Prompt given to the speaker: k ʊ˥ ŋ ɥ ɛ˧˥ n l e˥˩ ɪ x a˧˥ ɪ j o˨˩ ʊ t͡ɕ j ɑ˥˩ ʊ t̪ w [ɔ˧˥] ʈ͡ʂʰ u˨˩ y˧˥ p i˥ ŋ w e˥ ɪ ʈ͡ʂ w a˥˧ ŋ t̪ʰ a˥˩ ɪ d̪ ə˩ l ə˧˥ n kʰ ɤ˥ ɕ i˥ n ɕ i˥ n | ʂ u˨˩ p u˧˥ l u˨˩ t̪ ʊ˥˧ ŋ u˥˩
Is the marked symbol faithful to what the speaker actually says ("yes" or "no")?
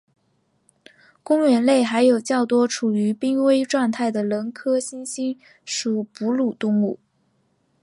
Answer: no